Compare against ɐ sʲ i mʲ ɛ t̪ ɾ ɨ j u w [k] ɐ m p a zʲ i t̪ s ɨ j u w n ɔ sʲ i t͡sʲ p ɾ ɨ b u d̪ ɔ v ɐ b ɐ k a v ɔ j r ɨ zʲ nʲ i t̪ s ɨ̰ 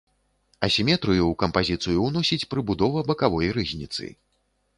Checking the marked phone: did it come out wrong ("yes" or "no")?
no